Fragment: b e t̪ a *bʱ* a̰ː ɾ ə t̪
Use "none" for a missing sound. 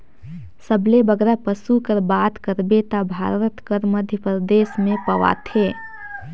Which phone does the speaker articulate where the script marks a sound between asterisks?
bʱ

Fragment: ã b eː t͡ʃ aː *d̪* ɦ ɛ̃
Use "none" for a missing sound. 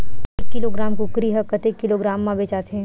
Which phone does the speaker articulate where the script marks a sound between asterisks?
t̪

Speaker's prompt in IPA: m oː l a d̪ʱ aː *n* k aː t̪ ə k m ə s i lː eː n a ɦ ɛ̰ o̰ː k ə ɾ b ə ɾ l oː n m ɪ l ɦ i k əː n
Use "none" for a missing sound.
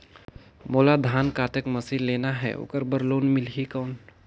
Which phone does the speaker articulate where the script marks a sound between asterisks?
n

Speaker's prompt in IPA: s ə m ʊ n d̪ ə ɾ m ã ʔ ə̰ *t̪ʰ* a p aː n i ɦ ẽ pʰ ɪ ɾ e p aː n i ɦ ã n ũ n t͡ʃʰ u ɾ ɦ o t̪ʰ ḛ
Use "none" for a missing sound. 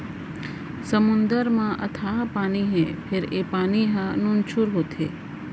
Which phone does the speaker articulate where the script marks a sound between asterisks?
t̪ʰ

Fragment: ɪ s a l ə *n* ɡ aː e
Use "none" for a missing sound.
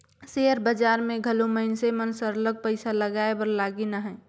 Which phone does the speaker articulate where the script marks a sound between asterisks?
none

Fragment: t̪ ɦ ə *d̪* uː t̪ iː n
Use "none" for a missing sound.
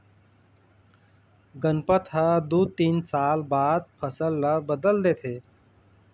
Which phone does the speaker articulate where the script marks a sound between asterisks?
d̪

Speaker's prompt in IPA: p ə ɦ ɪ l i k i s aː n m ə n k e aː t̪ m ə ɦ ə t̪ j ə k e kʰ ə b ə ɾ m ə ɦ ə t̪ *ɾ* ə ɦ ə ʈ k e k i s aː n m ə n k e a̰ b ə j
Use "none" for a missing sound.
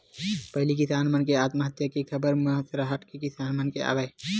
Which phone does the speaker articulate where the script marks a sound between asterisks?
ɾ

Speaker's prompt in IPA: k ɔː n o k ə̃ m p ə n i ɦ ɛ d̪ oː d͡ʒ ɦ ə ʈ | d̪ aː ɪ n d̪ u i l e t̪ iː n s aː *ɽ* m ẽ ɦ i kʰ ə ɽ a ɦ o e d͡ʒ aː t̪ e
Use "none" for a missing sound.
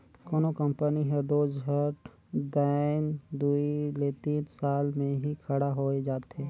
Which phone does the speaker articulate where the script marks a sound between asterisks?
l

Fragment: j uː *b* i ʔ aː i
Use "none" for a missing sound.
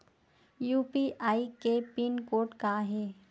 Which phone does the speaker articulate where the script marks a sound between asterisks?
p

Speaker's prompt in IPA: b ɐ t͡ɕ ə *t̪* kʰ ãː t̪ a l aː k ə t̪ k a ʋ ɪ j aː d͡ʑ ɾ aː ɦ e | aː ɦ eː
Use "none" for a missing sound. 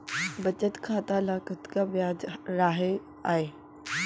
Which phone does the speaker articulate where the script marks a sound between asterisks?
t̪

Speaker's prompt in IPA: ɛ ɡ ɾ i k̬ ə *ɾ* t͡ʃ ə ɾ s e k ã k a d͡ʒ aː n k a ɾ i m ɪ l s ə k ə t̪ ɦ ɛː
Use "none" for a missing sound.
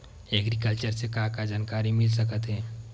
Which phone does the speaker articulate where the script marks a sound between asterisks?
l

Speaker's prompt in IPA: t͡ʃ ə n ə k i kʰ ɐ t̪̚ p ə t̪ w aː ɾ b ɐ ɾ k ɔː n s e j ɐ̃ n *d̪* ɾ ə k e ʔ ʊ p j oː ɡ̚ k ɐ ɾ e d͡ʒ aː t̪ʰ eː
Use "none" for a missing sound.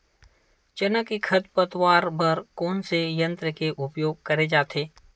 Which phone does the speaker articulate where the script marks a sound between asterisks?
t̪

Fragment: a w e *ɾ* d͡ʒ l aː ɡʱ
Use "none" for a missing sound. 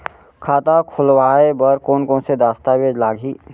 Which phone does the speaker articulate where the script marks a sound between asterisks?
none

